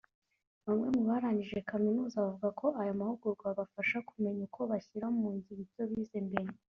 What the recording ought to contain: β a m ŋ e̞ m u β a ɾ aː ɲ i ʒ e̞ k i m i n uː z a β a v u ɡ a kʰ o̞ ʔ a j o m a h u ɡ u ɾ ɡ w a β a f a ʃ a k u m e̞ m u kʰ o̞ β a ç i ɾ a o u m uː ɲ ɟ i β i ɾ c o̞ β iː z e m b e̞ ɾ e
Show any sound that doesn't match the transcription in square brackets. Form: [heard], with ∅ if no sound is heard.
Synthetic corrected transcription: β a m ŋ e̞ m u β a ɾ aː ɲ i ʒ e̞ k [a] m i n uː z a β a v u ɡ a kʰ o̞ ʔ a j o m a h u ɡ u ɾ ɡ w a β a f a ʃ a k u m e̞ [ɲ] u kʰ o̞ β a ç i ɾ a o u m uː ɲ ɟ i β i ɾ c o̞ β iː z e m b e̞ ɾ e